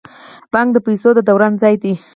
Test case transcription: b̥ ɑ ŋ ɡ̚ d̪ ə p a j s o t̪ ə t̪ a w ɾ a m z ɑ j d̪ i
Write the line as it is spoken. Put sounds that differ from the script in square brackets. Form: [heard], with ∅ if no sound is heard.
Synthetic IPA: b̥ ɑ ŋ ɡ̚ d̪ ə p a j s o [d̪] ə [d̪] a w ɾ a [n] z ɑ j d̪ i